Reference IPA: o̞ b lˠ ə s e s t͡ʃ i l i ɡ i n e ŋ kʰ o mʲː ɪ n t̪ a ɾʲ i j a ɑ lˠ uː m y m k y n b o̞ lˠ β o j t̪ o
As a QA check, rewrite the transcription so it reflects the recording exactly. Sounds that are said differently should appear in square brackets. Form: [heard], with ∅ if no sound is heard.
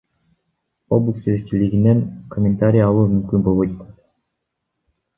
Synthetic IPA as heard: o̞ b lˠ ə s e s t͡ʃ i l i ɡ i n e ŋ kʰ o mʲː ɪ n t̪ a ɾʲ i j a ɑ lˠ uː m y m k y n b o̞ lˠ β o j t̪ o